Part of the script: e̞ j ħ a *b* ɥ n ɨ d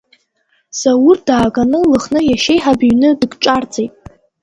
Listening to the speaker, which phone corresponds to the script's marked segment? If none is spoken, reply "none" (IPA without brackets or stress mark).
b